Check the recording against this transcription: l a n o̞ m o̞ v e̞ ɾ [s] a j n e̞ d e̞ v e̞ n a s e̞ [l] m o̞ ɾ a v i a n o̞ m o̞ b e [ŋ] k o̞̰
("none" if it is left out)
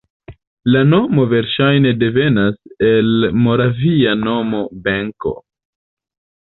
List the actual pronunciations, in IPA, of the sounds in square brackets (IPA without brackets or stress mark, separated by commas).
ʃ, l, ŋ